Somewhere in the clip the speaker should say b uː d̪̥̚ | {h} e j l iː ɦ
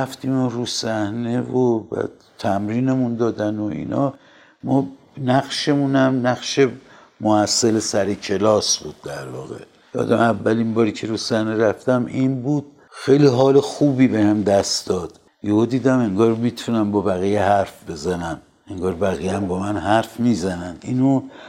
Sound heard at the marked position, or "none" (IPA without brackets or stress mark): x